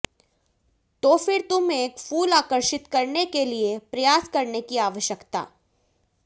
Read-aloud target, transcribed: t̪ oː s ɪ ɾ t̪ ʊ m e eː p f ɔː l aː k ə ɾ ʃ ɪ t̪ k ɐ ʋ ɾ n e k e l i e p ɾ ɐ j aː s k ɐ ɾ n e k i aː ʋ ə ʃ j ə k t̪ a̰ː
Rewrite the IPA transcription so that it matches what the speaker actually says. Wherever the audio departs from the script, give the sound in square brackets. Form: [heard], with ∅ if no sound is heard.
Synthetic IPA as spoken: t̪ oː [f] ɪ ɾ t̪ ʊ m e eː [k] f [uː] l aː k ə ɾ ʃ ɪ t̪ k ɐ [∅] ɾ n e k e l i e p ɾ ɐ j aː s k ɐ ɾ n e k i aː ʋ ə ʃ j ə k t̪ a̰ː